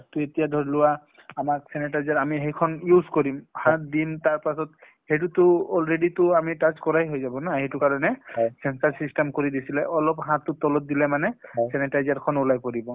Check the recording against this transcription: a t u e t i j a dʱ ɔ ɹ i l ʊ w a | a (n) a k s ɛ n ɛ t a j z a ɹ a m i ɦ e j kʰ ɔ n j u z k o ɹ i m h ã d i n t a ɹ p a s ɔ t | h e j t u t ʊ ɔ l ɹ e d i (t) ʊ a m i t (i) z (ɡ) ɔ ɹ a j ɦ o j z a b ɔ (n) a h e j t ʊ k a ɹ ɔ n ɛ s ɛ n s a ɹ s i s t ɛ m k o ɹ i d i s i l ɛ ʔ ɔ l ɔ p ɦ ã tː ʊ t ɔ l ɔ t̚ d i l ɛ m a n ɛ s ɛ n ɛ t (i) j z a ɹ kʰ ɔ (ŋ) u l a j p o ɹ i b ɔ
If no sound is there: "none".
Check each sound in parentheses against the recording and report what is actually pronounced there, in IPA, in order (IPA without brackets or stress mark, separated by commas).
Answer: m, t, a, k, n, a, n